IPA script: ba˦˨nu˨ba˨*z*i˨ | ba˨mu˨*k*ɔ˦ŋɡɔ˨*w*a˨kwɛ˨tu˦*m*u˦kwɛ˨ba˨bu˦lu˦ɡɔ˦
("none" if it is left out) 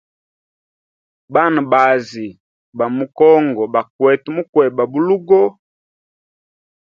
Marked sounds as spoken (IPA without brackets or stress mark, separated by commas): z, k, b, m